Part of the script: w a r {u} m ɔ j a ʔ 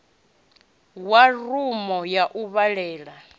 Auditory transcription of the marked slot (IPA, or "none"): u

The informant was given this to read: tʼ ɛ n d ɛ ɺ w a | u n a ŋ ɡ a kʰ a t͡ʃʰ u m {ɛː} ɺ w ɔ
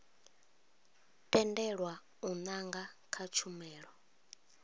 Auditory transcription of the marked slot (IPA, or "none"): ɛː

